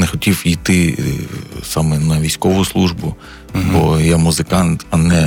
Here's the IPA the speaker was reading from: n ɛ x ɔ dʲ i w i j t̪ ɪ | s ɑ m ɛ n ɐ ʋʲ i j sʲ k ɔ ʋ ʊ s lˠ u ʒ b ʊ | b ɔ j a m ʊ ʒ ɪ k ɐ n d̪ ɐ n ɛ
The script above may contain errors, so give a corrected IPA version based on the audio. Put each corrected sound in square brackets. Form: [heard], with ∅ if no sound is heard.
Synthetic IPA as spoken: n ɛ x ɔ [tʲ] i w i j t̪ ɪ | s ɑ m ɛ n ɐ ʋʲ i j sʲ k ɔ ʋ ʊ s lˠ u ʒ b ʊ | b ɔ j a m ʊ [z] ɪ k [ɑ] n [t̪] ɐ n ɛ